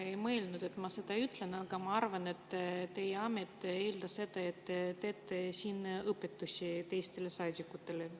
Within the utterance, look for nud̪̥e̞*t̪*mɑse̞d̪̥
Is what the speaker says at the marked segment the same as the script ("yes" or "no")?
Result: yes